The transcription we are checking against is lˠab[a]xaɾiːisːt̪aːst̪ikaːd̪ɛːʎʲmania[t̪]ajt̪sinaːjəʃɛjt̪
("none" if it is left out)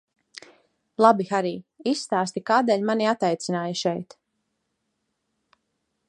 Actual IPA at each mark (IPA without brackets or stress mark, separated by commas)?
i, t̪